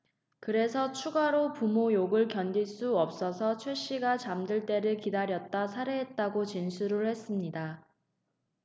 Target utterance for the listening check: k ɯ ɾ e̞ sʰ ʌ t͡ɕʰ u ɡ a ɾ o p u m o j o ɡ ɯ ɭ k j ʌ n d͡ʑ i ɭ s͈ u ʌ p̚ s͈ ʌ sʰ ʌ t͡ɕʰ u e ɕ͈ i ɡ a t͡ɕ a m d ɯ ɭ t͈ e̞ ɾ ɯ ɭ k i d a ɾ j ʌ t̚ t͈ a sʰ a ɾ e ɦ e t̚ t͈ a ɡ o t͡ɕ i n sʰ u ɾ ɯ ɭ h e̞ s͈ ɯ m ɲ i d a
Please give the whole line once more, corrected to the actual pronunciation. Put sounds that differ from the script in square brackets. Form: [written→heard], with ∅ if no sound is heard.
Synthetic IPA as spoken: k ɯ ɾ e̞ sʰ ʌ t͡ɕʰ u ɡ a ɾ o p u m o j o ɡ ɯ ɭ k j ʌ n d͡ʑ i ɭ s͈ u ʌ p̚ s͈ ʌ sʰ ʌ t͡ɕʰ [u→w] e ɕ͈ i ɡ a t͡ɕ a m d ɯ ɭ t͈ e̞ ɾ ɯ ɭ k i d a ɾ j ʌ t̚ t͈ a sʰ a ɾ e ɦ e t̚ t͈ a ɡ o t͡ɕ i n sʰ u ɾ ɯ ɭ h e̞ s͈ ɯ m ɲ i d a